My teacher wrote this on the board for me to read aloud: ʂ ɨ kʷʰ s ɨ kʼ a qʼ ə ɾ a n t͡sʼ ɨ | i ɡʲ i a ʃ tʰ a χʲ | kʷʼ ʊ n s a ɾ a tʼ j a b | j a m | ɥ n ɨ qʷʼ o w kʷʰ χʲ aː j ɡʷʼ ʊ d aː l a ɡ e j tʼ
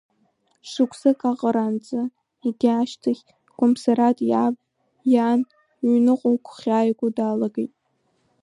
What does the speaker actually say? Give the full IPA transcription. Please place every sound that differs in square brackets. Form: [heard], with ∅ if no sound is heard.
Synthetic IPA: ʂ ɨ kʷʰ s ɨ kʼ a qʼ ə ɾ a n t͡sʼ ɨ | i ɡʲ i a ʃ tʰ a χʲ | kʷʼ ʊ [m] s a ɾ a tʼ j a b | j a [n] | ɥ n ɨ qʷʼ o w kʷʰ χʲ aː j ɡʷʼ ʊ d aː l a ɡ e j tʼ